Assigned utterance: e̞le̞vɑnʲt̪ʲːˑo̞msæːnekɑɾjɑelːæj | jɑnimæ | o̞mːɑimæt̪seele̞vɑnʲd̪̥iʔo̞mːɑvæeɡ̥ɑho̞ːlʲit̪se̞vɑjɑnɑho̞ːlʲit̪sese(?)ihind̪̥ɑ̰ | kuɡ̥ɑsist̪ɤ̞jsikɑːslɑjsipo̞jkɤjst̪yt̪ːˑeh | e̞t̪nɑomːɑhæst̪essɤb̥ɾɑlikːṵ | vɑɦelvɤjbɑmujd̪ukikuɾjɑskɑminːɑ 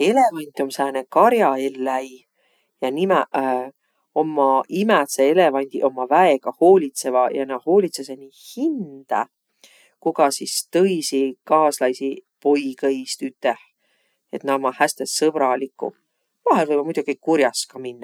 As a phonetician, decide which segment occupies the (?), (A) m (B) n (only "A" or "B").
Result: B